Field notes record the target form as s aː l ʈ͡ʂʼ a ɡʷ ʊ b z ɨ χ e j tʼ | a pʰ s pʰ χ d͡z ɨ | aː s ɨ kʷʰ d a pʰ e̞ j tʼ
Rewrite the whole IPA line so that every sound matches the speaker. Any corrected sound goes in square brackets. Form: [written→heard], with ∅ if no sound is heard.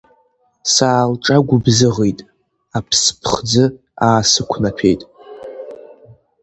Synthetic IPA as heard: s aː l ʈ͡ʂʼ a ɡʷ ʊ b z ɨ [χ→ʁ] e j tʼ | a pʰ s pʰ χ d͡z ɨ | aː s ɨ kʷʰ [d→n] a pʰ e̞ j tʼ

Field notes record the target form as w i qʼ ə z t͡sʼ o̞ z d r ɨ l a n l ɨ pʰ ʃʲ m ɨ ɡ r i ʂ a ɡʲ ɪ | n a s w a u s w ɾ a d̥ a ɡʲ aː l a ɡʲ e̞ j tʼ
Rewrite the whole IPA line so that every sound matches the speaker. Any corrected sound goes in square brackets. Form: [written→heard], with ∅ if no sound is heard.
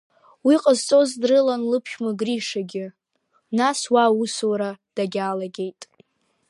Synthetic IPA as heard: w i qʼ ə z t͡sʼ o̞ z d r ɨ l a n l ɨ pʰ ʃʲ m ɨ ɡ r i ʂ a ɡʲ ɪ | n a s w a u s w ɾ a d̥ a ɡʲ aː l a ɡʲ e̞ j tʼ

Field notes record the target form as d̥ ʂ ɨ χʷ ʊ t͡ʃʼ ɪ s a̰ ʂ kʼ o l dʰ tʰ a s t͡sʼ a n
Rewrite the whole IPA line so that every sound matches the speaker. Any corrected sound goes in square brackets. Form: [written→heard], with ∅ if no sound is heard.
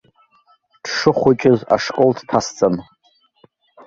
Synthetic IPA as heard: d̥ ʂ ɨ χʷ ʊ t͡ʃʼ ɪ [s→z] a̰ ʂ kʼ o l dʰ tʰ a s t͡sʼ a n

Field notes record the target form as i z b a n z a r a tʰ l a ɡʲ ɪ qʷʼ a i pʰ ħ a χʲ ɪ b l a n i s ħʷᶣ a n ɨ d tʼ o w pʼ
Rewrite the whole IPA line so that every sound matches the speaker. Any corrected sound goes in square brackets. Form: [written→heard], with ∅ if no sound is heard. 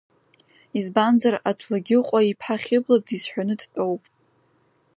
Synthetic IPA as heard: i z b a n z a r a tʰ l a ɡʲ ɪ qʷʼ a i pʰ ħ a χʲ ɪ b l a [n→d] i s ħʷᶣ a n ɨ d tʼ o w pʼ

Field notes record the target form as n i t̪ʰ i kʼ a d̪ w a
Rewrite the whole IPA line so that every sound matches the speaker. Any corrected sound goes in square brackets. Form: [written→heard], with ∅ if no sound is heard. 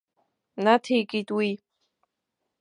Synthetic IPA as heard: n [i→a] t̪ʰ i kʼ [a→i] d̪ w [a→i]

